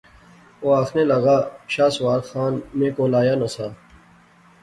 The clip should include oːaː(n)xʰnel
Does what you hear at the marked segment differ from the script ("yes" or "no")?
yes